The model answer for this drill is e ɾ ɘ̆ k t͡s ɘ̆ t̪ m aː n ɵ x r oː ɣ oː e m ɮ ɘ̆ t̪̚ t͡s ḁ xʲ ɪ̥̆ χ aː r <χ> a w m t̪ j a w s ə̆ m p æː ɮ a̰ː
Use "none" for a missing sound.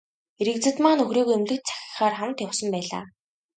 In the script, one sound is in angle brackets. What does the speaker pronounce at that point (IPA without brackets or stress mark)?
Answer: χ